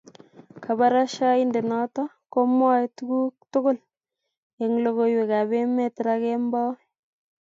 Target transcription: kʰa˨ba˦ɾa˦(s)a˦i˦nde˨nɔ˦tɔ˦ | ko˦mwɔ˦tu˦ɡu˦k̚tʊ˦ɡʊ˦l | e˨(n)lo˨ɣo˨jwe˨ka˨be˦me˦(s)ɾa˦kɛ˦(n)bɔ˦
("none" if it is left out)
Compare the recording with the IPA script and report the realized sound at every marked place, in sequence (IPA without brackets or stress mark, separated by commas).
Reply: ʃ, ŋ, t, m